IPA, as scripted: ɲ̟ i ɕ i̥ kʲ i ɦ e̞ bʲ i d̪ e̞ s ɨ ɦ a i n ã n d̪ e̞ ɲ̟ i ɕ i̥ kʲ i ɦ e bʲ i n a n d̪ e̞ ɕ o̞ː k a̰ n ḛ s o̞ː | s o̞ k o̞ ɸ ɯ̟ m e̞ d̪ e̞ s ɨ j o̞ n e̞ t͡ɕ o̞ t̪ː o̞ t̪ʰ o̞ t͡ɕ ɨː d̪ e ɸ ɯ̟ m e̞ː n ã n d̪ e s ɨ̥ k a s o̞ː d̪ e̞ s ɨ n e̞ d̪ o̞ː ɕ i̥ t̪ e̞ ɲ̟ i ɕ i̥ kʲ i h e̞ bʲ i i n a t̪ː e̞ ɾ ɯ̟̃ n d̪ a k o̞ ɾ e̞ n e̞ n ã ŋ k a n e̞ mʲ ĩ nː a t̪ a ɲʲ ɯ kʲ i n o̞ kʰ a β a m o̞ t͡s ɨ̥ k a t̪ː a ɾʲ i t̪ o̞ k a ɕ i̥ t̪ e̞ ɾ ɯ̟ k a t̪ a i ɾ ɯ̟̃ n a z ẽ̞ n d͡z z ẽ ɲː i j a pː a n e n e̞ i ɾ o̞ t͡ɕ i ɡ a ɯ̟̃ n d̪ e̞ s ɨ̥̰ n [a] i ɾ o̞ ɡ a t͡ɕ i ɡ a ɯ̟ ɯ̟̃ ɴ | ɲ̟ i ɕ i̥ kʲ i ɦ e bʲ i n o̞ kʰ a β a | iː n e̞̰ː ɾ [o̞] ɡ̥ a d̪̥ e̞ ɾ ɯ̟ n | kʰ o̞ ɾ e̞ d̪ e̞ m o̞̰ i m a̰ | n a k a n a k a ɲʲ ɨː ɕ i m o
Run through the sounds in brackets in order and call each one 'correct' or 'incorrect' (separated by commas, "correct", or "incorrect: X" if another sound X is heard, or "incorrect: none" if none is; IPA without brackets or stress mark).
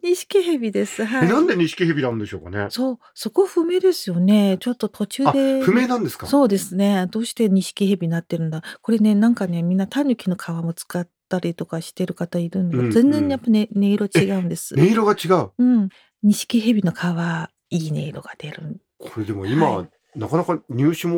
incorrect: e, correct